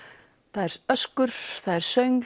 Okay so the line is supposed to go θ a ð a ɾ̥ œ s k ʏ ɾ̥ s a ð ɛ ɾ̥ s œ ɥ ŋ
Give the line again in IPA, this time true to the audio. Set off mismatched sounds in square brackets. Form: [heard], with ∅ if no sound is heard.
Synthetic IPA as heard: θ a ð [ɛ] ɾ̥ œ s k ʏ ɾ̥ [θ] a ð ɛ ɾ̥ s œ ɥ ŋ